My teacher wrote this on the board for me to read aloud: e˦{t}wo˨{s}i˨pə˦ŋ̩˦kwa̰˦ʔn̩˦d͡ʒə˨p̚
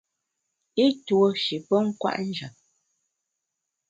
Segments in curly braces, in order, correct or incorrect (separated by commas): correct, incorrect